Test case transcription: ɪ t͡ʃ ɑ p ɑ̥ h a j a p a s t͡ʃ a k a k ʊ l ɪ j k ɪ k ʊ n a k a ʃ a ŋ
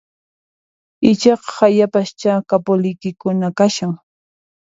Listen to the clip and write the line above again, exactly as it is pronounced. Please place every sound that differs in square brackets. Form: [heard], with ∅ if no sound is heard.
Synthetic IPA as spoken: ɪ t͡ʃ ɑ [q] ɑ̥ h a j a p a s t͡ʃ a k a [p] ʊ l ɪ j k ɪ k ʊ n a k a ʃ a ŋ